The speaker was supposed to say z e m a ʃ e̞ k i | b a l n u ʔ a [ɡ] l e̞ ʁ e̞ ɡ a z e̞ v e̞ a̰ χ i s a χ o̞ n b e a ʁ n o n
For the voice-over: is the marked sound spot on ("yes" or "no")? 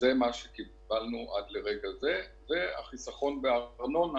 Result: no